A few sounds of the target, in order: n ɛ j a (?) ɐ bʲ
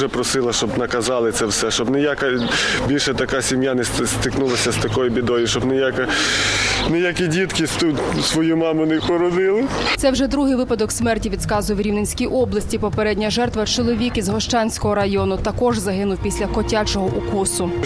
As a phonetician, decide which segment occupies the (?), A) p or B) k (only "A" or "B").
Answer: B